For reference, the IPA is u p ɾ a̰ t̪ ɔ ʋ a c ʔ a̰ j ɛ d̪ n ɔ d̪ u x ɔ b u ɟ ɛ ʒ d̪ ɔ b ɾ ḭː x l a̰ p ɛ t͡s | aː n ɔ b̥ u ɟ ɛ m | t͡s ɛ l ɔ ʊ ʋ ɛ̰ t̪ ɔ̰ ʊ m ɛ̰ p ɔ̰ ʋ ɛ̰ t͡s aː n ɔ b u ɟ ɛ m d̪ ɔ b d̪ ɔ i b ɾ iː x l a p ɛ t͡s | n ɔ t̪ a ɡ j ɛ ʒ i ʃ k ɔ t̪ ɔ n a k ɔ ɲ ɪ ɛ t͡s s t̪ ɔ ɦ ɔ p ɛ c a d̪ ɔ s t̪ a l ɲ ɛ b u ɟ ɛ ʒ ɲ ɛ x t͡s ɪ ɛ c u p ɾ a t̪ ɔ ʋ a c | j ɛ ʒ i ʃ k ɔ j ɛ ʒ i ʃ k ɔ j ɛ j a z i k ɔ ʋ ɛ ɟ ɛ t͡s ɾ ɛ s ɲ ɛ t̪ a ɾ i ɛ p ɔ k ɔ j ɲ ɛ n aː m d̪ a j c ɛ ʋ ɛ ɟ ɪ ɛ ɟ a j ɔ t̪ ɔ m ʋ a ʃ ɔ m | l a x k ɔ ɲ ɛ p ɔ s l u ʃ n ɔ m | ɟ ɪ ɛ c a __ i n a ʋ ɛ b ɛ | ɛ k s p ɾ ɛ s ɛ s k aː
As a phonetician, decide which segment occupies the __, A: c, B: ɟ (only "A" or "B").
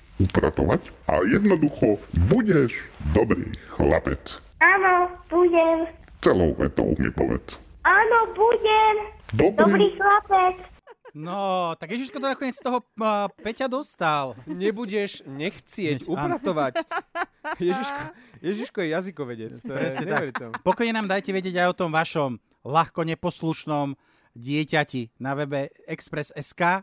A